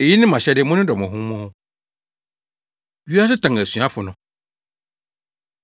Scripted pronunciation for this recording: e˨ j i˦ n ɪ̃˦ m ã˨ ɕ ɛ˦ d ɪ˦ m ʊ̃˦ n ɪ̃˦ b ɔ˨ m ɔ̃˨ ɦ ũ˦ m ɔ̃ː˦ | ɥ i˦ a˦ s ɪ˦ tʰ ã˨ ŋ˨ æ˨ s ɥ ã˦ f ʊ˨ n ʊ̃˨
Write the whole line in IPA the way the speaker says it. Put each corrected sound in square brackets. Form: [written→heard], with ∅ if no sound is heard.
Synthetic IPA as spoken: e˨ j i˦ n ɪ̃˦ m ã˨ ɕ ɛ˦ d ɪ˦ m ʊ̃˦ n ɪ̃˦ [b→d] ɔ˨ m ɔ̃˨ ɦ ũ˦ m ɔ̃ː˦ | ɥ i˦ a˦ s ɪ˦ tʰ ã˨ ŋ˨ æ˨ s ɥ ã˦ f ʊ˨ n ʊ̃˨